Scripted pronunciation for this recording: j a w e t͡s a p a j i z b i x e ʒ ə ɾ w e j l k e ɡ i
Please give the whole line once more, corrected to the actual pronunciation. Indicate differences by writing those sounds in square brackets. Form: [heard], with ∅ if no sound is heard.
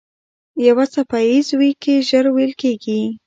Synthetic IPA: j a w [a] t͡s a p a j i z [w] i [k] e ʒ ə ɾ w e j l k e ɡ i